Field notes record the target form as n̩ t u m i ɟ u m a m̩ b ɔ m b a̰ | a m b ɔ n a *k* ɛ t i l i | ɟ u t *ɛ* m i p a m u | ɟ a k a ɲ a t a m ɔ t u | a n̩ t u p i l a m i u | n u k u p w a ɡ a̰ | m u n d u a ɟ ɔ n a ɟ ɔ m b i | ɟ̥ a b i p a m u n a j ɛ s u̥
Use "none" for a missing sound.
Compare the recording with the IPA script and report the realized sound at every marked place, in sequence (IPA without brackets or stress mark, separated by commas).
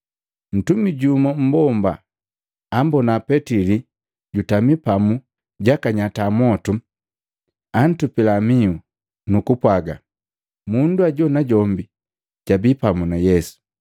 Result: p, a